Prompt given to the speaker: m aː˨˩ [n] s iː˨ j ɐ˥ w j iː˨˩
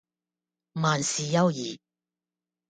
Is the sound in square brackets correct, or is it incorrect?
correct